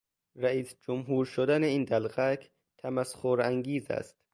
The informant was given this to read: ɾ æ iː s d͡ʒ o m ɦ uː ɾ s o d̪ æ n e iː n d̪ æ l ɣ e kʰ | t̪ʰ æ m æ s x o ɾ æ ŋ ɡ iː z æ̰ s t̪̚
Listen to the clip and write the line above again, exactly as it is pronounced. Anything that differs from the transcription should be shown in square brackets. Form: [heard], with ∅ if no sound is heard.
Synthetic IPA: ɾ æ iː s d͡ʒ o m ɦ uː ɾ [ʃ] o d̪ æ n e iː n d̪ æ l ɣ [æ] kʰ | t̪ʰ æ m æ s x o ɾ æ ŋ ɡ iː z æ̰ s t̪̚